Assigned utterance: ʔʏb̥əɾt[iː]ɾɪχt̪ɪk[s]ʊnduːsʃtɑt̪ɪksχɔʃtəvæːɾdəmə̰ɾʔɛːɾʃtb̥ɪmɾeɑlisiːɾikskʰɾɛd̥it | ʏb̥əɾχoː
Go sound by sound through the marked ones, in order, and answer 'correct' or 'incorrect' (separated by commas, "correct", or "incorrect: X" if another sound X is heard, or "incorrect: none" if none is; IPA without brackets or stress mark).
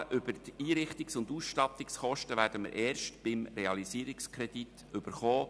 correct, correct